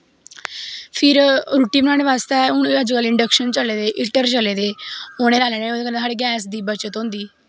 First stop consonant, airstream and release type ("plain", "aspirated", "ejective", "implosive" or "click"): aspirated